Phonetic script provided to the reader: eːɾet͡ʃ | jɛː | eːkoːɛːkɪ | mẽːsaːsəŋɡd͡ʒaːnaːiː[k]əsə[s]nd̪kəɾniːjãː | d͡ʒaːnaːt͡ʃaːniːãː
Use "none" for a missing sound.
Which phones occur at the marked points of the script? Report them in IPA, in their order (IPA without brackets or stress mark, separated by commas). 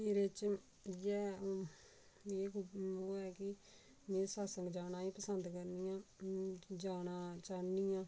p, none